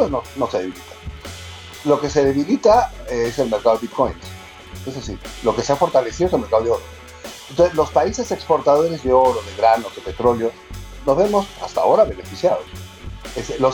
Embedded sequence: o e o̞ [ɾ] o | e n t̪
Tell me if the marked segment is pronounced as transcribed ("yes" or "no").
yes